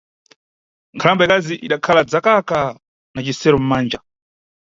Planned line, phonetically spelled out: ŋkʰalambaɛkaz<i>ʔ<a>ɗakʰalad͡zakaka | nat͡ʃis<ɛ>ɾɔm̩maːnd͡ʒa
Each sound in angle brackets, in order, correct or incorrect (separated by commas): correct, incorrect, correct